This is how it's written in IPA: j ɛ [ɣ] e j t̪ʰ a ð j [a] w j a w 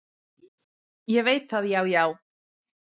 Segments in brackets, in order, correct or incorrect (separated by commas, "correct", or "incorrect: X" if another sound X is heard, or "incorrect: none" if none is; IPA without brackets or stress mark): incorrect: v, correct